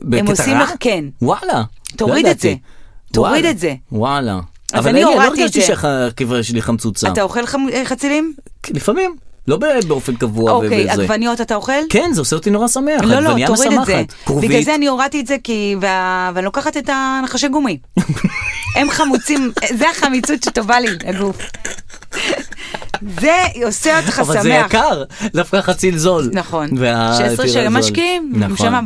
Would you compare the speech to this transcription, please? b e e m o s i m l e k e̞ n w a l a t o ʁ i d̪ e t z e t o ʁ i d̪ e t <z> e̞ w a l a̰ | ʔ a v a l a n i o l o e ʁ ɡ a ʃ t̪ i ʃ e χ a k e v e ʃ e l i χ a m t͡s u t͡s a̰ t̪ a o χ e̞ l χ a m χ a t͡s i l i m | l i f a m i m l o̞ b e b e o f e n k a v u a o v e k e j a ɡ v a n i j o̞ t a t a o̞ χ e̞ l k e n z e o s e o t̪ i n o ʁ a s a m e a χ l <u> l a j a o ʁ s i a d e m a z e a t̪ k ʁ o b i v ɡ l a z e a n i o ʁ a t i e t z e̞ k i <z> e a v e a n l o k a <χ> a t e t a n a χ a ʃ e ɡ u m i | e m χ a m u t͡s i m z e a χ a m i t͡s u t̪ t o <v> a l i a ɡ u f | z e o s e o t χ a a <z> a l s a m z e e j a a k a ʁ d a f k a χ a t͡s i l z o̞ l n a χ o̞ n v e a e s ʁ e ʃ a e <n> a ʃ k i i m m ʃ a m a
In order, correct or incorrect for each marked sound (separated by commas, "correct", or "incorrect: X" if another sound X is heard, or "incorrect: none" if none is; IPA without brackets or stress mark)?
correct, incorrect: o, incorrect: v, correct, correct, incorrect: v, incorrect: m